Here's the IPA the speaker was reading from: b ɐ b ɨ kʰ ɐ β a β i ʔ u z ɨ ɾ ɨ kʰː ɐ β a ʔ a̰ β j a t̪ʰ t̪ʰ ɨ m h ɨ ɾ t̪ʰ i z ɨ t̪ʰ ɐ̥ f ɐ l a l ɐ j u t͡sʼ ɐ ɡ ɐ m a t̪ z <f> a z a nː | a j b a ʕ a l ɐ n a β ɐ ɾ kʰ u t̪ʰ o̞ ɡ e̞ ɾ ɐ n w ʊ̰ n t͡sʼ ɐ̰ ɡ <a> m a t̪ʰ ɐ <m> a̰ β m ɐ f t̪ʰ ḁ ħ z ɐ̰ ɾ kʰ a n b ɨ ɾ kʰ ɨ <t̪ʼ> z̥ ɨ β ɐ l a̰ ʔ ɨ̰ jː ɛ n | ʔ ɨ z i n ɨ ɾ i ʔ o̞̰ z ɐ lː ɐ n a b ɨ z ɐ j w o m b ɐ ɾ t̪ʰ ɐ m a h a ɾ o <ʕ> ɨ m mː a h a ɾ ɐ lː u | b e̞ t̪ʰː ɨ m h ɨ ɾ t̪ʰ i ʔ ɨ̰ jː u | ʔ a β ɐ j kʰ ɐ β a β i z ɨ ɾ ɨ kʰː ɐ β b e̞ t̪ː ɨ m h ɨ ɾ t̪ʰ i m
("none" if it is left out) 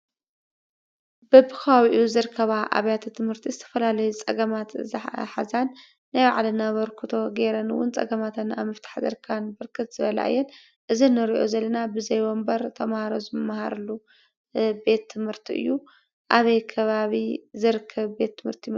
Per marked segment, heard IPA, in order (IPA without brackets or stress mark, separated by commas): ħ, ɐ, n, t̪, z